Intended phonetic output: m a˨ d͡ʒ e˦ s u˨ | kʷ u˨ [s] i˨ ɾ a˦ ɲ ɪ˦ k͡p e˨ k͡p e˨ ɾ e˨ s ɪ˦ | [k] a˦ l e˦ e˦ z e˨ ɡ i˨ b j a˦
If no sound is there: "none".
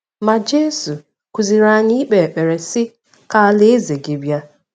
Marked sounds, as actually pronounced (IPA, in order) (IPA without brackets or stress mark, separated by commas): z, k